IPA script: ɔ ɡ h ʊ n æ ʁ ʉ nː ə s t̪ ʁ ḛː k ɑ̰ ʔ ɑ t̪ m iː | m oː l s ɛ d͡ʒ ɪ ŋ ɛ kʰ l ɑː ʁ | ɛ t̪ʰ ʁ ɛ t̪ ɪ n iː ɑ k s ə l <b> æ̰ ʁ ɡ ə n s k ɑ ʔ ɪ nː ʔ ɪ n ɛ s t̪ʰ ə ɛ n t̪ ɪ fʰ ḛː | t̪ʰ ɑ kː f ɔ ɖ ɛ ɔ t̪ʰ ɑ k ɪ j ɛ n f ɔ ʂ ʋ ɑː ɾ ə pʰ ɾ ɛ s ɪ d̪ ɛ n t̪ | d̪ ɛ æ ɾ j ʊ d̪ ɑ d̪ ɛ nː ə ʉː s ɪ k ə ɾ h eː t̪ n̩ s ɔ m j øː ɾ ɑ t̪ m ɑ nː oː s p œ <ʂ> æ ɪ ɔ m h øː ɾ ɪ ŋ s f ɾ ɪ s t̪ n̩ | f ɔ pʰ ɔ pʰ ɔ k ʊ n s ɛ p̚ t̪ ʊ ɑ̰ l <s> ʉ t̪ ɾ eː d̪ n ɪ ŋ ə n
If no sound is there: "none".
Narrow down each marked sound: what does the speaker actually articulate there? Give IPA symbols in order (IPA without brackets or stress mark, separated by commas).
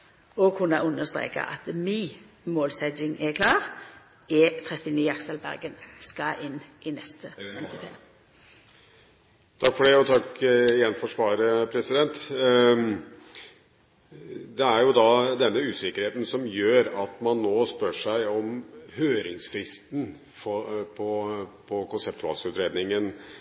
b, ʂ, s